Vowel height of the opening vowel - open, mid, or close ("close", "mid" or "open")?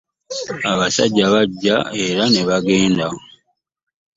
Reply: open